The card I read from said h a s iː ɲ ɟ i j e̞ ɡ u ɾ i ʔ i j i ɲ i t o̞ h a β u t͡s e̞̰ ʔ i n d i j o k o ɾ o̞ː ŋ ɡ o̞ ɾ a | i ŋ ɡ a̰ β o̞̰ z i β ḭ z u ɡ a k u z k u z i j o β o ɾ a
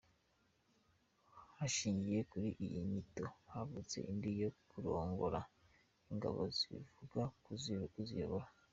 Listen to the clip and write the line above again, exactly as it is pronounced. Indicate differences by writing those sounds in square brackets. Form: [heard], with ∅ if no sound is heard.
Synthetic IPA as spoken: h a [ʃ] iː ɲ ɟ i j e̞ [k] u ɾ i ʔ i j i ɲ i t o̞ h a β u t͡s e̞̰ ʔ i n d i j o k [u] ɾ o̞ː ŋ ɡ o̞ ɾ a | i ŋ ɡ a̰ β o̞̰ z i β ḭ [v] u ɡ a k u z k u z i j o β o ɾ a